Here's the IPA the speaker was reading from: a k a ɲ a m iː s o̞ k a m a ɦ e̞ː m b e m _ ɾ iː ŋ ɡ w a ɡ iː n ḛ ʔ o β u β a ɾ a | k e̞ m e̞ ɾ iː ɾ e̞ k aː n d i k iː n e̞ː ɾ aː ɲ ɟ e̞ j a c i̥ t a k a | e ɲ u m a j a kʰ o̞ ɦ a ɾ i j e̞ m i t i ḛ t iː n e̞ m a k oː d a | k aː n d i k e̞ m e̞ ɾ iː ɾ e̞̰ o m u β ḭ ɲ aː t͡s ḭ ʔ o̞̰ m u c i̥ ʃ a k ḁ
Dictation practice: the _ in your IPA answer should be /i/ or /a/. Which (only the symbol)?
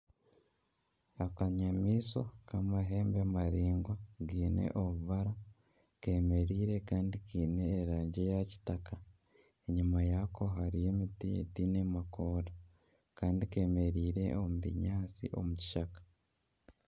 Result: a